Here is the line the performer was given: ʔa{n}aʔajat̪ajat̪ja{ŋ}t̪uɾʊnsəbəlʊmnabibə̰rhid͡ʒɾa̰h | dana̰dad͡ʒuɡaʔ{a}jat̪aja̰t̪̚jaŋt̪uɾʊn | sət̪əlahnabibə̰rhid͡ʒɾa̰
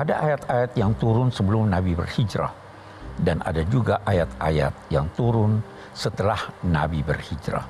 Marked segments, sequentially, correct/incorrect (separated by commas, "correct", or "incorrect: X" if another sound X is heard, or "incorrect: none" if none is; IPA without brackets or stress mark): incorrect: d, correct, correct